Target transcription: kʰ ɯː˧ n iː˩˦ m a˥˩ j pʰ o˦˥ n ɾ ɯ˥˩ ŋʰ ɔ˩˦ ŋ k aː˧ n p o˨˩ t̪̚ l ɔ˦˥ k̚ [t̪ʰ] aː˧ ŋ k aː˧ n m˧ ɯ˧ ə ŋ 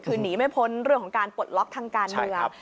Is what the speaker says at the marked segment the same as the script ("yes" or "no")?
yes